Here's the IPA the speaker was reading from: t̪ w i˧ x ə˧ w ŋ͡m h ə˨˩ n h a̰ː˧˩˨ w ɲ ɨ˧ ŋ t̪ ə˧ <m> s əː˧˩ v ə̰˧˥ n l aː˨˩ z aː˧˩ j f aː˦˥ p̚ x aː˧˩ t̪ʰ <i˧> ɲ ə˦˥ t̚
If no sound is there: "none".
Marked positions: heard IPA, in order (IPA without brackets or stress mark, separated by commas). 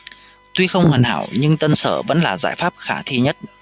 n, i˧